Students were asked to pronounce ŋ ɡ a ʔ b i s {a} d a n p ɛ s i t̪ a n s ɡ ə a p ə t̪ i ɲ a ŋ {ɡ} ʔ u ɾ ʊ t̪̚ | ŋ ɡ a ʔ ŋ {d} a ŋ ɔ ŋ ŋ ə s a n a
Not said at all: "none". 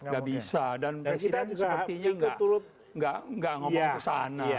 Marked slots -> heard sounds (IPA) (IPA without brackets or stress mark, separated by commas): a, ɡ, ɡ